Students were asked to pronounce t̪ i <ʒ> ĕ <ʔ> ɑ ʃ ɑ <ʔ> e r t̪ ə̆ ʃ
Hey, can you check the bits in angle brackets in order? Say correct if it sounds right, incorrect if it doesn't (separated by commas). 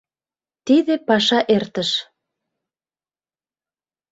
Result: incorrect, incorrect, correct